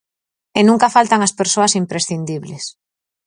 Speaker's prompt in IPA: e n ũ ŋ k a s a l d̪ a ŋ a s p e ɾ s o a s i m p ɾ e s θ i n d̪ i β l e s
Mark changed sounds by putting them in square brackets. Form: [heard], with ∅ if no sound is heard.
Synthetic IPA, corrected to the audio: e n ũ ŋ k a [f] a l [t̪] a ŋ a s p e ɾ s o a s i m p ɾ e s θ i n d̪ i β l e s